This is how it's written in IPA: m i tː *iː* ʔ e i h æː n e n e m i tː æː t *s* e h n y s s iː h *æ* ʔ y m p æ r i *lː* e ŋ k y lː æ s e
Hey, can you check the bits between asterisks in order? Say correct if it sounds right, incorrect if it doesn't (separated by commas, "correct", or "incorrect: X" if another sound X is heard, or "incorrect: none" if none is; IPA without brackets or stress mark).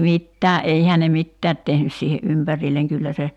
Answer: incorrect: æː, incorrect: t, incorrect: e, correct